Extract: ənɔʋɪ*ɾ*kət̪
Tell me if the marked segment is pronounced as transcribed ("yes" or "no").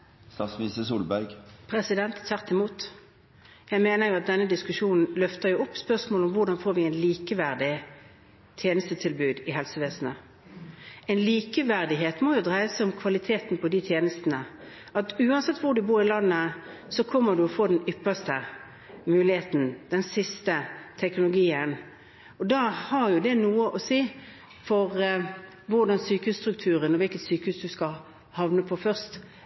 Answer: no